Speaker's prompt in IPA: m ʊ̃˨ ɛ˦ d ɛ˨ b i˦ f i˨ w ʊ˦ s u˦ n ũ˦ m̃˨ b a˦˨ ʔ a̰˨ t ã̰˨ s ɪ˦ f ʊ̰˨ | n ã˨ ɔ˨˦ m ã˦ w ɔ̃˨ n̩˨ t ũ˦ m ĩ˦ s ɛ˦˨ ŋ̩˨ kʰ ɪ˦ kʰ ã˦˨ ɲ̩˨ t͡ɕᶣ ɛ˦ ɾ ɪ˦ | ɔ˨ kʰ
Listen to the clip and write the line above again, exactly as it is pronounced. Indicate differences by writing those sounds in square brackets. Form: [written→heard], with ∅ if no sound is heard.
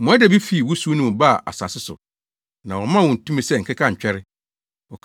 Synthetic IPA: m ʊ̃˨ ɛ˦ d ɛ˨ b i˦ f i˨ w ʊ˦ s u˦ n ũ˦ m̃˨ b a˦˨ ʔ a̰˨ [t→s] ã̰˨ s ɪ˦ [f→s] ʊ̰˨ | n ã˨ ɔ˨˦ m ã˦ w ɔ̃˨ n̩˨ t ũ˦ m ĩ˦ s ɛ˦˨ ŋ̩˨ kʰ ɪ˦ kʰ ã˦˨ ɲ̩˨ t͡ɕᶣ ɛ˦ ɾ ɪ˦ | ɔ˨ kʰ